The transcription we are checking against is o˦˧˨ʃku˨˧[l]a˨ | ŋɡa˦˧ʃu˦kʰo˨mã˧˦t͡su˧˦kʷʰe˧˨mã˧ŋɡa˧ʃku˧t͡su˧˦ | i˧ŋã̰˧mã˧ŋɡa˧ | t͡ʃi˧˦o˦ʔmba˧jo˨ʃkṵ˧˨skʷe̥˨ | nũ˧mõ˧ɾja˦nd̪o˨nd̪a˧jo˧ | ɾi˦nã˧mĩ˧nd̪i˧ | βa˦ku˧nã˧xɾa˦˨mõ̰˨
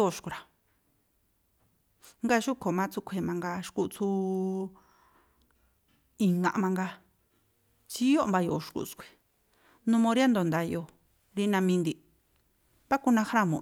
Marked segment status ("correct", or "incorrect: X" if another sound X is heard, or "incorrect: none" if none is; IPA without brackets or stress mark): incorrect: ɾ